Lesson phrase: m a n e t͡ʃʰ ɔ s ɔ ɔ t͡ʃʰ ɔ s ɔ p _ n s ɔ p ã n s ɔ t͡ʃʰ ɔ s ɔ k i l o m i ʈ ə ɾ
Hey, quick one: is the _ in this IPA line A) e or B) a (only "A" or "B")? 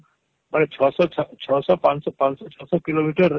B